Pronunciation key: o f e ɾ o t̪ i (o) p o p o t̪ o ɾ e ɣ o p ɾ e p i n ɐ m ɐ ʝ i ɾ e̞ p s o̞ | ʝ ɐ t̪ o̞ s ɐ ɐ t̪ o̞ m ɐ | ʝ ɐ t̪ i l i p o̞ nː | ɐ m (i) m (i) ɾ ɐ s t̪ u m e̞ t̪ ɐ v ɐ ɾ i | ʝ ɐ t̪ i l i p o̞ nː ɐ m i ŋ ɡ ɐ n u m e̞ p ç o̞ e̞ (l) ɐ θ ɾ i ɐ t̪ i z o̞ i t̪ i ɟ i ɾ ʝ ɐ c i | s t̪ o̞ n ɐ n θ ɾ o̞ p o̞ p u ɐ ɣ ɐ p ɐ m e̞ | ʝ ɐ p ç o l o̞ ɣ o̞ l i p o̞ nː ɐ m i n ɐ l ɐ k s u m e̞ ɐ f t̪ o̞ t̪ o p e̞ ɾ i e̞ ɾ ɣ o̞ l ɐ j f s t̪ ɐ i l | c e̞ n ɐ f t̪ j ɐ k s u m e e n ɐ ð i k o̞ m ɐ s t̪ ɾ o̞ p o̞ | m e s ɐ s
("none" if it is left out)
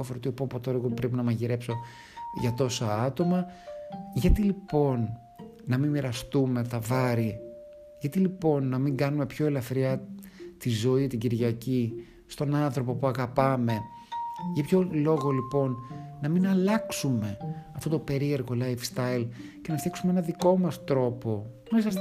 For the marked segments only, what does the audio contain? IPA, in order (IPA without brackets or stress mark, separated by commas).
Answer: o, i, i, l